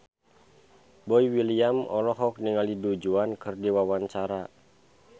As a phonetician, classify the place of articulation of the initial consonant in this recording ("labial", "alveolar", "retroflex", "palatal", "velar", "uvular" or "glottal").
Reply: labial